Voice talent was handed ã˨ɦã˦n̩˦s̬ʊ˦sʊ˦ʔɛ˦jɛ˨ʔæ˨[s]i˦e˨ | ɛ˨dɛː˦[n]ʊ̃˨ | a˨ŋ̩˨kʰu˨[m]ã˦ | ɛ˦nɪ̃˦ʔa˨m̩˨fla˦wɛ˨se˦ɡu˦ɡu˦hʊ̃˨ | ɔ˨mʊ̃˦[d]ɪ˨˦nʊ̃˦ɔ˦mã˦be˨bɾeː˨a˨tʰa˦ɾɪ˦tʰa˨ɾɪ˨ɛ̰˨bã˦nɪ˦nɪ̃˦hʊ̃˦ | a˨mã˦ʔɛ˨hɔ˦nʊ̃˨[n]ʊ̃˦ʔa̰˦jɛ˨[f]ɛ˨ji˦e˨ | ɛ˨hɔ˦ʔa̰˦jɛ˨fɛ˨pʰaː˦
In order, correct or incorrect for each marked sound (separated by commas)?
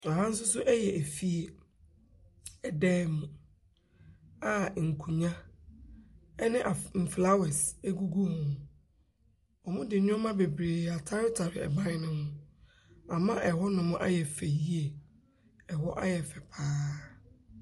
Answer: incorrect, incorrect, incorrect, correct, incorrect, correct